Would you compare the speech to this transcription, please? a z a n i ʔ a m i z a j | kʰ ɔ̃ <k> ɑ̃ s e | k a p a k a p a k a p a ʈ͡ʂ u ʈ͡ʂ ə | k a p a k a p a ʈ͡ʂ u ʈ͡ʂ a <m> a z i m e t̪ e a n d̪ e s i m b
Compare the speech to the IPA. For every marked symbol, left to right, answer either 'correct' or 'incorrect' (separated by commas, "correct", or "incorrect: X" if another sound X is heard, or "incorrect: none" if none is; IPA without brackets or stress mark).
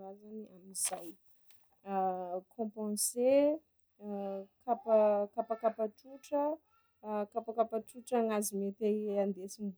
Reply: incorrect: p, incorrect: ŋ